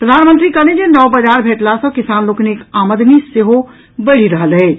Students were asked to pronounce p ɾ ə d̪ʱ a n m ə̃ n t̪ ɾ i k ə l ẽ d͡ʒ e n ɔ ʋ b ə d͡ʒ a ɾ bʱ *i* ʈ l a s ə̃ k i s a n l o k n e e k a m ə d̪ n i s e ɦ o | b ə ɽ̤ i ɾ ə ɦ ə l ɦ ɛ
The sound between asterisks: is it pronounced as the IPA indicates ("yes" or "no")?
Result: no